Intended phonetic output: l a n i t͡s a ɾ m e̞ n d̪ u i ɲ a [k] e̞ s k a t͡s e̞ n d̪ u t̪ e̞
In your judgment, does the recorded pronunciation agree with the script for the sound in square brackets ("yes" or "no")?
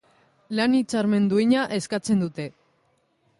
no